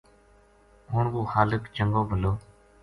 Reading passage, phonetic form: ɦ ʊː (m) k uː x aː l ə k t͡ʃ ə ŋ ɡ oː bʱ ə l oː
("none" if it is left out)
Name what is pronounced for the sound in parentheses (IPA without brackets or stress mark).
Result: ɳ